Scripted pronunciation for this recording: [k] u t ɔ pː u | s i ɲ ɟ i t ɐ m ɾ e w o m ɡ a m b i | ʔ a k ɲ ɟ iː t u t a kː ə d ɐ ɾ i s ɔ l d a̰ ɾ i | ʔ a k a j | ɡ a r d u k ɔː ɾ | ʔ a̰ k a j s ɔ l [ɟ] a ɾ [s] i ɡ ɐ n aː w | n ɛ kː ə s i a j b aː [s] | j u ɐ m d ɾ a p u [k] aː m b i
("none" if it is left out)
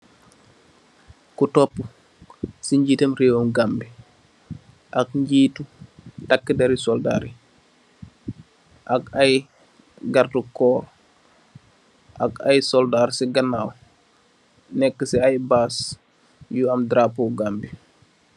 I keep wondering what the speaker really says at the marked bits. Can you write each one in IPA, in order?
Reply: k, d, s, s, ɡ

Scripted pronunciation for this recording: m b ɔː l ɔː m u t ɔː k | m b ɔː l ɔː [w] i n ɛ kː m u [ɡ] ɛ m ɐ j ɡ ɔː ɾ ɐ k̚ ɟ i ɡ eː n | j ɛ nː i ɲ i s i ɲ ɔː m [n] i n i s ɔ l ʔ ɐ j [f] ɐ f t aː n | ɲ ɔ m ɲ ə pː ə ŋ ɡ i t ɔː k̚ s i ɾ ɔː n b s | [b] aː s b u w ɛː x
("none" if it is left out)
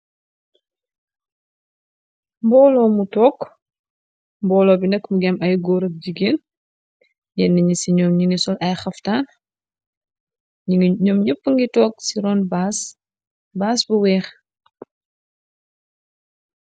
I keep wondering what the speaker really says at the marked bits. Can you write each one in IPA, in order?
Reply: b, ɡ, ɲ, x, b

